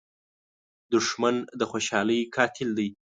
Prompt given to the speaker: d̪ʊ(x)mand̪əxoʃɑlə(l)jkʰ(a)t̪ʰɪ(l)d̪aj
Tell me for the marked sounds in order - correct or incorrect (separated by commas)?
incorrect, incorrect, incorrect, correct